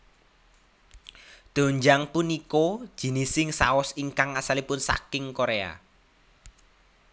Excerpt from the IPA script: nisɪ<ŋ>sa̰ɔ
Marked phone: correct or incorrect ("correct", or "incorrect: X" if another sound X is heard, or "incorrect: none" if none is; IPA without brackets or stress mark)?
correct